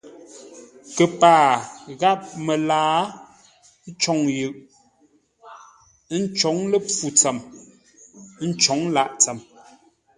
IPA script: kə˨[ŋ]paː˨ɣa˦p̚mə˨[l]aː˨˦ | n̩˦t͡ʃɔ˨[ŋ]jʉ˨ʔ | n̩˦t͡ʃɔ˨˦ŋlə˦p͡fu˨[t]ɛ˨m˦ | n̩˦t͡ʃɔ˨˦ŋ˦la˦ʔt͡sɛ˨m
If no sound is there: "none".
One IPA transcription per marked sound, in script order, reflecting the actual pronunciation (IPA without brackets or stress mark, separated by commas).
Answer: none, l, ŋ, t͡s